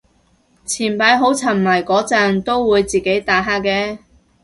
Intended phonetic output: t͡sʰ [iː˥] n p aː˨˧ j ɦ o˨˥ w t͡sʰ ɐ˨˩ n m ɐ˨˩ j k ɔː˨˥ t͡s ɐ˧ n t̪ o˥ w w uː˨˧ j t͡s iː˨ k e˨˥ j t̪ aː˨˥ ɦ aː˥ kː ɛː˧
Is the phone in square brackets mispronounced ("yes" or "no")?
yes